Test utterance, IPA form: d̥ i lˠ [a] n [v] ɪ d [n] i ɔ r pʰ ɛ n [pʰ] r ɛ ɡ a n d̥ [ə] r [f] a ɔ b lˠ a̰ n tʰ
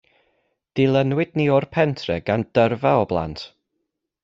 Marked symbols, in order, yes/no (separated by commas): no, no, yes, no, yes, no